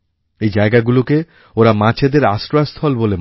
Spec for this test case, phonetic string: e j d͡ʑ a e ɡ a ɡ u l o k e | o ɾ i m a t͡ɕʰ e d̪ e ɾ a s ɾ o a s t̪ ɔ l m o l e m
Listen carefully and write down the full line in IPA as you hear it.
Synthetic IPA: e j d͡ʑ a e ɡ a ɡ u l o k e | o ɾ a m a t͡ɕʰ e d̪ e ɾ a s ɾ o a s t̪ʰ ɔ l b o l e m